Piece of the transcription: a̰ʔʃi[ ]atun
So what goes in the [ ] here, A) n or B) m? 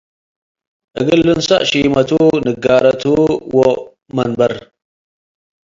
B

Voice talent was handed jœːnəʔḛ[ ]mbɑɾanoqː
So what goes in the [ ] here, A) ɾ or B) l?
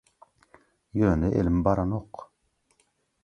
B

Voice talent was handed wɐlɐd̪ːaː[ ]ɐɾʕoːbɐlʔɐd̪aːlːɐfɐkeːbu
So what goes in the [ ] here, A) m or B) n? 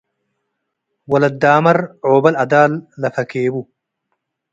A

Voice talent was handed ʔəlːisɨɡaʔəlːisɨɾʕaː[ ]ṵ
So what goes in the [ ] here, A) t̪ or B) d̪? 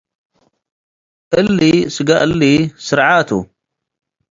A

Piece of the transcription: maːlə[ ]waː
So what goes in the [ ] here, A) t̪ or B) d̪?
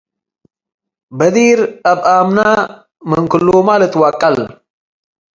A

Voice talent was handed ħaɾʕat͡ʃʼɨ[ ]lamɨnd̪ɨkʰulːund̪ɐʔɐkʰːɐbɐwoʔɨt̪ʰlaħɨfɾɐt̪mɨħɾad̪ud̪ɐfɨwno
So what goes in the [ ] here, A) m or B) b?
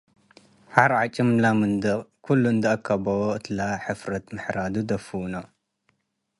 A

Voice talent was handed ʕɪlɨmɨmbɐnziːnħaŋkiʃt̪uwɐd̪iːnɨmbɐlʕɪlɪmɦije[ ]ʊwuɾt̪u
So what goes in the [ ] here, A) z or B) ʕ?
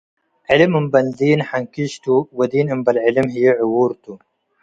B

